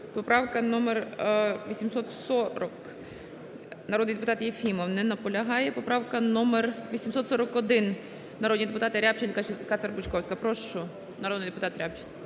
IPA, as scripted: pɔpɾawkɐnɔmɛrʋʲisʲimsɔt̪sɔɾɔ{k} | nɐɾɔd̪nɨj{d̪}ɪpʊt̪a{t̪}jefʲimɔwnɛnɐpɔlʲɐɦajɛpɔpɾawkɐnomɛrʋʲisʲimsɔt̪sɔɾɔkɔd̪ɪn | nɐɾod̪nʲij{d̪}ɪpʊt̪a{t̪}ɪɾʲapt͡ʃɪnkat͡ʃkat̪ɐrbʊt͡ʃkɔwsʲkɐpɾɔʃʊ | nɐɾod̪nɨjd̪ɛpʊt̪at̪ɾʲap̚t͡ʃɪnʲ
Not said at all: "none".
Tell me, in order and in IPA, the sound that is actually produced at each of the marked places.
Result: k, d̪, t̪, d̪, t̪

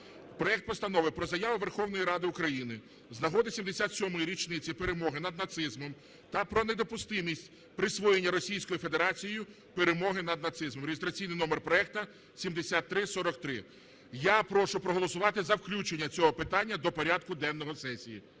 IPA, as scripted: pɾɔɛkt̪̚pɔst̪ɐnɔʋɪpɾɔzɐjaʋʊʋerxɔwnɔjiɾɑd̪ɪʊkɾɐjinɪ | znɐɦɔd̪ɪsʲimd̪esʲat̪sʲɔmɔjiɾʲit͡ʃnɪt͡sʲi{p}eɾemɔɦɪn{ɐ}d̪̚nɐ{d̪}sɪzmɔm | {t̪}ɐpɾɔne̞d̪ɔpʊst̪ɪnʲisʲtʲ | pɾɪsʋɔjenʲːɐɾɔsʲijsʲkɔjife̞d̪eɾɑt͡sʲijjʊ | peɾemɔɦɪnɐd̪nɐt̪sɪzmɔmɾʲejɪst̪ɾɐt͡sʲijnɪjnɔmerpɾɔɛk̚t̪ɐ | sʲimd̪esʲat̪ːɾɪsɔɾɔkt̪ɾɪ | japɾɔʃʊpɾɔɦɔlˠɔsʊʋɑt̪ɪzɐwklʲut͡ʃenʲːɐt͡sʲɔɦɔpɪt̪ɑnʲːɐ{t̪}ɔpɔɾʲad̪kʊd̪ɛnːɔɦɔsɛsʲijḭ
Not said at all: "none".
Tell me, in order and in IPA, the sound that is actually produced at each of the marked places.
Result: p, ɐ, t̪, t̪, d̪

